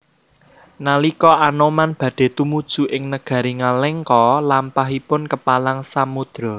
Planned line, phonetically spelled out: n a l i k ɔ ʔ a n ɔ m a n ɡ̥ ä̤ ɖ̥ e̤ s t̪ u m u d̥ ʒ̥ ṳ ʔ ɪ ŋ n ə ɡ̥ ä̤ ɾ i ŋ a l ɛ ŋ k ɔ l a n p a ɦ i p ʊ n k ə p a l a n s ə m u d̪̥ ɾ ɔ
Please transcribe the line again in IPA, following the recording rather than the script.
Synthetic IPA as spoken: n a l i k ɔ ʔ a n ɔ m a n b̥ ä̤ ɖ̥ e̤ t̪ u m u d̥ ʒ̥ ṳ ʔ ɪ ŋ n ə ɡ̥ ä̤ ɾ i ŋ a l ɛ ŋ k ɔ l a m p a ɦ i p ʊ n k ə p a l a ŋ s a m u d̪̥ ɾ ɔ

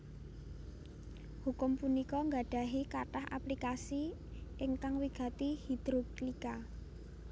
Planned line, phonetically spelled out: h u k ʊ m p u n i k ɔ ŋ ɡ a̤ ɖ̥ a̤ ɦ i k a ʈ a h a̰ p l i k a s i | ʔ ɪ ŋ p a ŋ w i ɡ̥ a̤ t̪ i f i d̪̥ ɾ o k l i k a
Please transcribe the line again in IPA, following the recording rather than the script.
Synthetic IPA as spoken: h u k ʊ m p u n i k ɔ ŋ ɡ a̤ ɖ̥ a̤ ɦ i k a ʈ a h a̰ p l i k a s i | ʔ ɪ ŋ k a ŋ w i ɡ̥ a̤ t̪ i h i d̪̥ ɾ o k l i k a

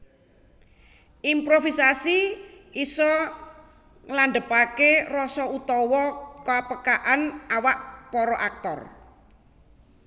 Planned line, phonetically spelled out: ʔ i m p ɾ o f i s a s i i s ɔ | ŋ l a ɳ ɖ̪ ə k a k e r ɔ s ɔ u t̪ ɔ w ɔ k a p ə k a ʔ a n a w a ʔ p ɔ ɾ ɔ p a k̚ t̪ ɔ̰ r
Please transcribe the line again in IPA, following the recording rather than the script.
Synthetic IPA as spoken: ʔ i m p ɾ o f i s a s i i s ɔ | ŋ l a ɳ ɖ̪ ə p a k e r ɔ s ɔ u t̪ ɔ w ɔ k a p ə k a ʔ a n a w a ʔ p ɔ ɾ ɔ ʔ a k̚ t̪ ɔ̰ r

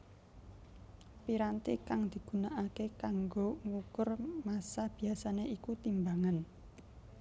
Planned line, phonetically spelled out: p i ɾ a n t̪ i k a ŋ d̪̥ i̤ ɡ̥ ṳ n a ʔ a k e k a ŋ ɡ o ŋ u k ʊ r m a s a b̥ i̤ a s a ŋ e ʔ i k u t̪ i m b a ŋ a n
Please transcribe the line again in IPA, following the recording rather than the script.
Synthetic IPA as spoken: p i ɾ a n t̪ i k a ŋ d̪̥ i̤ ɡ̥ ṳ n a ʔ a k e k a ŋ ɡ o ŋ u k ʊ r m a s a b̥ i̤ a s a n e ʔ i k u t̪ i m b a ŋ a n

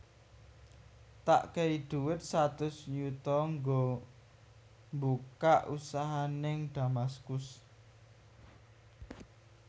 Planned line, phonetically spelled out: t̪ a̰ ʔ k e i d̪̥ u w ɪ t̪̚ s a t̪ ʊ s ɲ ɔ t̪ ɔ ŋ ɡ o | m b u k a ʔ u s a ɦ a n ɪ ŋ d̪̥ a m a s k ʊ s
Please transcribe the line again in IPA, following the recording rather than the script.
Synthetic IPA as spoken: t̪ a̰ ʔ k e i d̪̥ u w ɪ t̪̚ s a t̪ ʊ s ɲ u t̪ ɔ ŋ ɡ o | m b u k a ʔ u s a ɦ a n ɪ ŋ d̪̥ a m a s k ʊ s

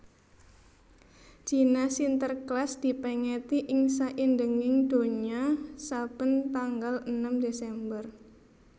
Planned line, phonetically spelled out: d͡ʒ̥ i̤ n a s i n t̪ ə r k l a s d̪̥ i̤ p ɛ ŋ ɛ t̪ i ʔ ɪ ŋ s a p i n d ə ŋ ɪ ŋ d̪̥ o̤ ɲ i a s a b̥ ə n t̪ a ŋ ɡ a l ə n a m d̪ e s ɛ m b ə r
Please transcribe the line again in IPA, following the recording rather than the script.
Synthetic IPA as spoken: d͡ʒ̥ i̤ n a s i n t̪ ə r k l a s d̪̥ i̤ p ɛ ŋ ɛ t̪ i ʔ ɪ ŋ s a ʔ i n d ə ŋ ɪ ŋ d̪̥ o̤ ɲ i a s a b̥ ə n t̪ a ŋ ɡ a l ə n a m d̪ e s ɛ m b ə r

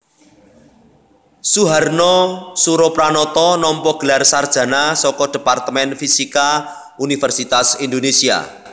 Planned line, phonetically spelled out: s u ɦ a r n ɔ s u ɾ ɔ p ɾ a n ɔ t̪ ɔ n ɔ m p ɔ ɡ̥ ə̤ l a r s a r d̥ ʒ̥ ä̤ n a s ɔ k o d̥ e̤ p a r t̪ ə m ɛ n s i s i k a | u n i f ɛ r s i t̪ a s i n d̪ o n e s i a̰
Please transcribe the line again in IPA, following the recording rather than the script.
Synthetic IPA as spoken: s u ɦ a r n ɔ s u ɾ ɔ p ɾ a n ɔ t̪ ɔ n ɔ m p ɔ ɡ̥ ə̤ l a r s a r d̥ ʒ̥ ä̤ n a s ɔ k ɔ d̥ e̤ p a r t̪ ə m ɛ n f i s i k a | u n i f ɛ r s i t̪ a s i n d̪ o n e s i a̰

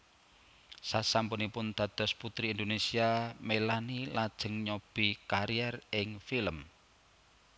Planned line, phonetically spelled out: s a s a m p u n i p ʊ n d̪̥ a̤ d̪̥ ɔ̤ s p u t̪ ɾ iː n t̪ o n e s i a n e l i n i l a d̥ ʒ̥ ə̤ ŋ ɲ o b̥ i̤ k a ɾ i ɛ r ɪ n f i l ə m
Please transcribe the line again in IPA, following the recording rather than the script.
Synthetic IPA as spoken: s a s a m p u n i p ʊ n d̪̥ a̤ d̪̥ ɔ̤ s p u t̪ ɾ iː n d̪ o n e s i a m e l a n i l a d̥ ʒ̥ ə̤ ŋ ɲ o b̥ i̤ k a ɾ i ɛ r ɪ ŋ f i l ə m

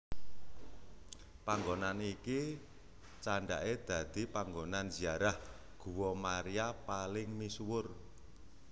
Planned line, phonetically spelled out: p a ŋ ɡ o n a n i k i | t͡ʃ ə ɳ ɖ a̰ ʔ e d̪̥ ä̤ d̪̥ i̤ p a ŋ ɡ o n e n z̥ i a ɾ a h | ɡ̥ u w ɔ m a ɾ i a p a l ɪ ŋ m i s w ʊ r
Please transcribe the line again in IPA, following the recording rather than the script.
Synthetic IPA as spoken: p a ŋ ɡ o n a n i k i | t͡ʃ a ɳ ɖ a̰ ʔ e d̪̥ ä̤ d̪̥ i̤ p a ŋ ɡ o n a n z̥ i a ɾ a h | ɡ̥ u w ɔ m a ɾ i a p a l ɪ ŋ m i s w ʊ r

